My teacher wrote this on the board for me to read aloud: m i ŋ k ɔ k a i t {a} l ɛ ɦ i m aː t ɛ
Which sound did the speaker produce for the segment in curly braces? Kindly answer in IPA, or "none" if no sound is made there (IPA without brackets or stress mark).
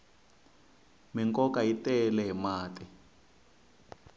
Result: ɛ